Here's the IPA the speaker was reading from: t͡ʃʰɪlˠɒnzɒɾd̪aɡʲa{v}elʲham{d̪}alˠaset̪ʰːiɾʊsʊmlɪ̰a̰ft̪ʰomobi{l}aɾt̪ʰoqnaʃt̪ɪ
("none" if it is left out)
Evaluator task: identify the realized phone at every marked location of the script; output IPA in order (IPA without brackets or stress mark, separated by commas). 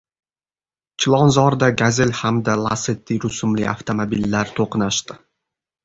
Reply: z, d̪, lː